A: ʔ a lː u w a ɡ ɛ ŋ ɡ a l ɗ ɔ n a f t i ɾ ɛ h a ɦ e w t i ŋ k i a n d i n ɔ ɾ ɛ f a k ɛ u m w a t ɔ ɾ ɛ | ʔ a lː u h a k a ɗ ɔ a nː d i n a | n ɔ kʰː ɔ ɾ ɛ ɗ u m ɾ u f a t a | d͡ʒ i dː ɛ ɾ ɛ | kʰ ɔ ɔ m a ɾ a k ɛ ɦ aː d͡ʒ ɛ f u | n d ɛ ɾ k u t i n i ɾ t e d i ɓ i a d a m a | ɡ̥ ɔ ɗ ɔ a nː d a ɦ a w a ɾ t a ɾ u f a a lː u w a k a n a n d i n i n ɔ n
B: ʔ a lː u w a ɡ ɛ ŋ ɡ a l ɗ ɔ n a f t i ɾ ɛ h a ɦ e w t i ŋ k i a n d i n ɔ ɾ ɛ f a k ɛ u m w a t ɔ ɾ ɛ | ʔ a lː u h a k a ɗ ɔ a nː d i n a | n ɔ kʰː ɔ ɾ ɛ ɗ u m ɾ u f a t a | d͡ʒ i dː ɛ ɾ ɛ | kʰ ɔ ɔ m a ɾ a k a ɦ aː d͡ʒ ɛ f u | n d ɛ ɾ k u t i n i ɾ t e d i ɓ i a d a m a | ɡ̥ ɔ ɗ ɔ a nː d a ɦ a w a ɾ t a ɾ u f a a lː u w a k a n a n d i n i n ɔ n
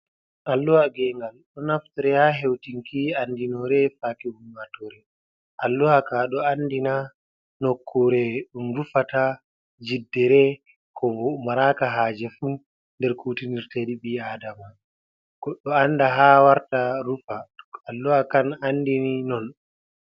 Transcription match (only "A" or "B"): B